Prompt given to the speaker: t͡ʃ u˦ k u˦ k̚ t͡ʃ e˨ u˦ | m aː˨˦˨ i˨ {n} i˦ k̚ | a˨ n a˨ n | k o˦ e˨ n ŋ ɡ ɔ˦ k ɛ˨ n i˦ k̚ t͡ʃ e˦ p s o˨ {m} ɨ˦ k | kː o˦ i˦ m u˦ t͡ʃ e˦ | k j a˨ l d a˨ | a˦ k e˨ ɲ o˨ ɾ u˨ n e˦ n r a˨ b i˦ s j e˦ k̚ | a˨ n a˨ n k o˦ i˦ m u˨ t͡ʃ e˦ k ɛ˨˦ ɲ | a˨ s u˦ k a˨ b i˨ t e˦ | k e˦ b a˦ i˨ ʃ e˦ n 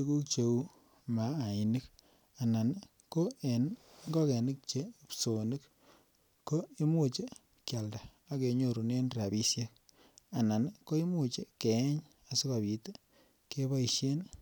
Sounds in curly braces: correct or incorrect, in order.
correct, incorrect: n

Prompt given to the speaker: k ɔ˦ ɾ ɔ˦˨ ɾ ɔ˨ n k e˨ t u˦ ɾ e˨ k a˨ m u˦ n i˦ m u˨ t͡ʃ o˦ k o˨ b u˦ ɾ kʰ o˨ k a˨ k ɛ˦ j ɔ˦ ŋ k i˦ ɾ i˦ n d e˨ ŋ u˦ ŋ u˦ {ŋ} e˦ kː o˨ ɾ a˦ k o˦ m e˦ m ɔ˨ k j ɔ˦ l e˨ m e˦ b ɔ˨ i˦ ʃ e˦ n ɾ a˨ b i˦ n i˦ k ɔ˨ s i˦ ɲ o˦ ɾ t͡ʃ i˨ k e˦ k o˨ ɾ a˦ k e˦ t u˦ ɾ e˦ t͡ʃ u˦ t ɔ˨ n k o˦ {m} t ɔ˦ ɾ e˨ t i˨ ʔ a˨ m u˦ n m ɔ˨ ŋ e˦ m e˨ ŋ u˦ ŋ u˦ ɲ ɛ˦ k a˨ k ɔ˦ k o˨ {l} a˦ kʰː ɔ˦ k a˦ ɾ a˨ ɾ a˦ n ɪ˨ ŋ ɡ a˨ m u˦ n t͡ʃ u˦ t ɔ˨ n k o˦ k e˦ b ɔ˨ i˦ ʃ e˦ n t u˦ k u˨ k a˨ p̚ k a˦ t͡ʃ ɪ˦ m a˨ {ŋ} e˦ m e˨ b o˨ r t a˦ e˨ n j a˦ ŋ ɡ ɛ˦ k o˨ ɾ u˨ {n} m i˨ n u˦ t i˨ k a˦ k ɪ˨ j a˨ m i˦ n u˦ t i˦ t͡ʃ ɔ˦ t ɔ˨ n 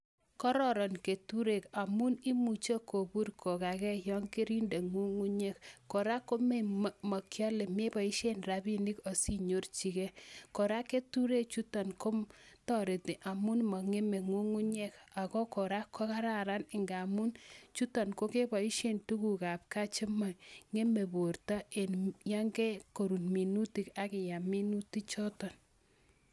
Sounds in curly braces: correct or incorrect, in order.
incorrect: ɲ, correct, incorrect: ɾ, correct, correct

